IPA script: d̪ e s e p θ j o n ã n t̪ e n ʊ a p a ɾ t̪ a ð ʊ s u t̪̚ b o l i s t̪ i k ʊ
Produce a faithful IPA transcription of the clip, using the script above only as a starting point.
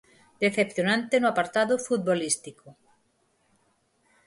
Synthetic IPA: d̪ e θ e p θ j o n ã n t̪ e n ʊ a p a ɾ t̪ a ð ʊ f u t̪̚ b o l i s t̪ i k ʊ